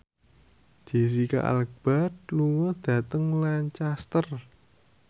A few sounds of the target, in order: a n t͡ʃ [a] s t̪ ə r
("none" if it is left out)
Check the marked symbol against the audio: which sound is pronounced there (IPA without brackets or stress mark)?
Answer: a